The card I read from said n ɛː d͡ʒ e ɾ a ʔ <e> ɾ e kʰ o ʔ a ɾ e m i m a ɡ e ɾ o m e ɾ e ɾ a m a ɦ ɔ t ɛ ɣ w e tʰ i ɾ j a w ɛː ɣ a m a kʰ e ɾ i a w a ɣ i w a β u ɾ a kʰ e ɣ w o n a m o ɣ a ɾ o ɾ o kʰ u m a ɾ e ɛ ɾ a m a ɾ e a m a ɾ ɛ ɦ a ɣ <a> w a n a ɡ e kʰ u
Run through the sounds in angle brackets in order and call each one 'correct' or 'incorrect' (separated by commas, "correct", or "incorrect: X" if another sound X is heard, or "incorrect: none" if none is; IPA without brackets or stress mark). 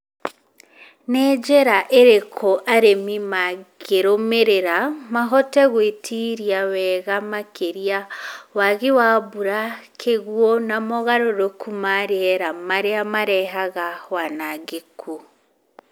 correct, correct